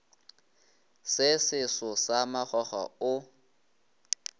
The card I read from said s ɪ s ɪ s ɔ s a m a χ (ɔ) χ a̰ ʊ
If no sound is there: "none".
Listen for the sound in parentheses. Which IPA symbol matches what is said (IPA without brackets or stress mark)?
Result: ɔ